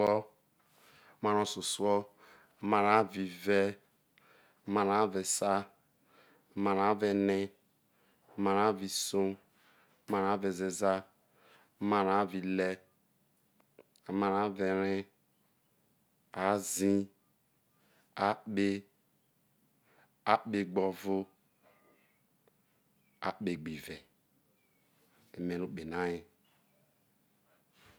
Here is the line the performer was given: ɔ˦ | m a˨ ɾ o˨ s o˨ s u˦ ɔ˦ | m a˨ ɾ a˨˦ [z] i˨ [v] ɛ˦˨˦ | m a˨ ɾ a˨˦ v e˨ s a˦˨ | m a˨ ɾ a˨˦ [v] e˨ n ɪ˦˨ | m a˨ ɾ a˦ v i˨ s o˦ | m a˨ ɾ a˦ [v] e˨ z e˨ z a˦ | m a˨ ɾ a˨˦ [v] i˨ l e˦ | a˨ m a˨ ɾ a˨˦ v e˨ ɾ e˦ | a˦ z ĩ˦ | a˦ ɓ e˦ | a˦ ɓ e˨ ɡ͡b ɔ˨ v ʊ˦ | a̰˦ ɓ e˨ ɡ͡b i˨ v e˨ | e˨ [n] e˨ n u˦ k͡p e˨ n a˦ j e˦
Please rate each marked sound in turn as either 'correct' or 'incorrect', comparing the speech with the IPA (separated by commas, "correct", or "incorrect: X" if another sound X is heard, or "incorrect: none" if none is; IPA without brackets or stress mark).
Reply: incorrect: v, correct, correct, correct, correct, incorrect: m